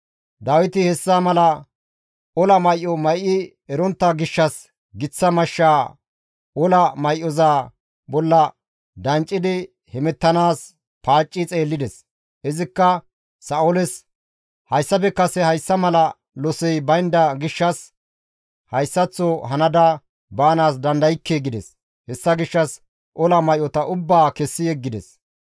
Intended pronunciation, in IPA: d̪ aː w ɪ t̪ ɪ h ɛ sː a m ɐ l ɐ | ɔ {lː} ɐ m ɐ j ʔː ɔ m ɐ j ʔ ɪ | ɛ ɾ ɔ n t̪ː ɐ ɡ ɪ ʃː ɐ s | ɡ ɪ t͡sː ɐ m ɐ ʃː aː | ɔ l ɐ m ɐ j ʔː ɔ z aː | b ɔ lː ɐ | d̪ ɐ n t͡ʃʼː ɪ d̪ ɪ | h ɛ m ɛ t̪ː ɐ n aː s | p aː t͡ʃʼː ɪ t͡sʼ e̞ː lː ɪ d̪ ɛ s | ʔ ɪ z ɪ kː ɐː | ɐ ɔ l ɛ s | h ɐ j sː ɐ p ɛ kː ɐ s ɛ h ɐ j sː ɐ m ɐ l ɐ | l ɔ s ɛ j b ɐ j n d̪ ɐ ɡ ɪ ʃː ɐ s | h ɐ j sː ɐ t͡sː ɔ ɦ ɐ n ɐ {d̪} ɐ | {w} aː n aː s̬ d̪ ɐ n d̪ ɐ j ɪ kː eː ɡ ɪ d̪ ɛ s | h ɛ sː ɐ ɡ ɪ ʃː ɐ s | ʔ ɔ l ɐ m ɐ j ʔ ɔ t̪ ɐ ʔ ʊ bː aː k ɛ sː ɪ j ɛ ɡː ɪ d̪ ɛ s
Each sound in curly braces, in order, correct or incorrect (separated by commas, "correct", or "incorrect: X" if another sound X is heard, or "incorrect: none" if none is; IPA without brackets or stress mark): incorrect: l, correct, incorrect: b